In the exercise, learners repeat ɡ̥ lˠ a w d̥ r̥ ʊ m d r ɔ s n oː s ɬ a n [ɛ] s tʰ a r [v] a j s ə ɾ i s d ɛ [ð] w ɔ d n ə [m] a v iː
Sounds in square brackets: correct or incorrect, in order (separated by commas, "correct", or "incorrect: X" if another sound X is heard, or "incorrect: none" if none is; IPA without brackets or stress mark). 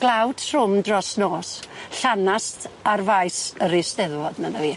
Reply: incorrect: a, correct, correct, incorrect: n